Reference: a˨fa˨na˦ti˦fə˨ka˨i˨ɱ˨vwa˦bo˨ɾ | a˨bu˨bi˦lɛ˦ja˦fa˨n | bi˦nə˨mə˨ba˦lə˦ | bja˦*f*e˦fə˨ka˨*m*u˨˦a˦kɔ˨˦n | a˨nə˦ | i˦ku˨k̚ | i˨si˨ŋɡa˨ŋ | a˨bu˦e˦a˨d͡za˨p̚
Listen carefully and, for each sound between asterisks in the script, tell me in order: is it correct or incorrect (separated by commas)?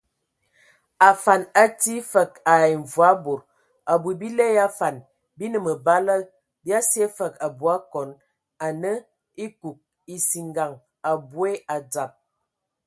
incorrect, incorrect